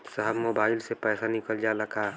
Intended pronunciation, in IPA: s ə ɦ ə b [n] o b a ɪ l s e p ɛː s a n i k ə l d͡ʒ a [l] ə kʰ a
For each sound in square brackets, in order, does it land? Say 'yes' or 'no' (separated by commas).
no, yes